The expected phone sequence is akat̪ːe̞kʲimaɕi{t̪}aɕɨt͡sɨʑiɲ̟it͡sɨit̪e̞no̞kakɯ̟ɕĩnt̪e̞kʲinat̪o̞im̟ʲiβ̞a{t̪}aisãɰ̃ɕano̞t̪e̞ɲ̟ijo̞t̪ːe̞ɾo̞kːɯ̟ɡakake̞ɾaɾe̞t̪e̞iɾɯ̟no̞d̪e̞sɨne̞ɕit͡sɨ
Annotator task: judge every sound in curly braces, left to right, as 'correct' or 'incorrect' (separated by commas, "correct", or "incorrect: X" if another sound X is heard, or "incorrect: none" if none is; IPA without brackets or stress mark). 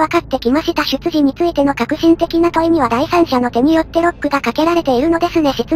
correct, incorrect: d̪